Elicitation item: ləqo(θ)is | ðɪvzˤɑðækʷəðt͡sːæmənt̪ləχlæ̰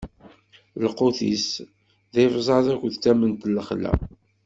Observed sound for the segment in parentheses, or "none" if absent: θ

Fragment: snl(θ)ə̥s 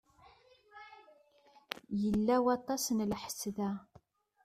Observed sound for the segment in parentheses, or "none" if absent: ħ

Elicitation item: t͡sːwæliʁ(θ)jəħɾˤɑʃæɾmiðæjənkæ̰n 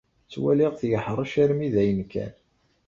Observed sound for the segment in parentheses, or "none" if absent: θ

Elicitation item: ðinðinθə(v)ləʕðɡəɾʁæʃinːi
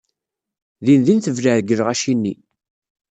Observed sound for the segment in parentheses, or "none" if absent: v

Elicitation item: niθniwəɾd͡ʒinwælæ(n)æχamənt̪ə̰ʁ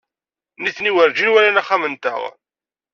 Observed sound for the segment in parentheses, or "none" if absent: n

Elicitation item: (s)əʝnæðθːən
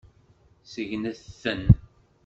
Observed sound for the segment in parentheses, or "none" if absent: s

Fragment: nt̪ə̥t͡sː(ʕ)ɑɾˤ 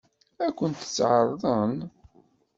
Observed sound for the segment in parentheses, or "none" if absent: ʕ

